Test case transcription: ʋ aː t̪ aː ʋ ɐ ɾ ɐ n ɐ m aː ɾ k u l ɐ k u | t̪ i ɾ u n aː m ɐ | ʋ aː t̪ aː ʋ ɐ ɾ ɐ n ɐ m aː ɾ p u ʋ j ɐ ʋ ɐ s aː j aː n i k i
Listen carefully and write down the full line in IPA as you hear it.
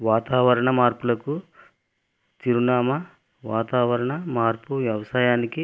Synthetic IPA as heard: ʋ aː t̪ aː ʋ ɐ ɾ ɐ ɳ ɐ m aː ɾ p u l ɐ k u | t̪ i ɾ u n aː m ɐ | ʋ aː t̪ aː ʋ ɐ ɾ ɐ ɳ ɐ m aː ɾ p u ʋ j ɐ ʋ ɐ s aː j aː n i k i